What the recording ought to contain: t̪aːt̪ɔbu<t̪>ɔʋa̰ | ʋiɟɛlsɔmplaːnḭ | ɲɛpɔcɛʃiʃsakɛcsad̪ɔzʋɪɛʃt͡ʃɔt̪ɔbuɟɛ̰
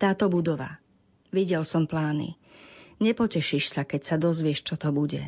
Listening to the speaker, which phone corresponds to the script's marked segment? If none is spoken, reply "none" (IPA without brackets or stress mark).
d̪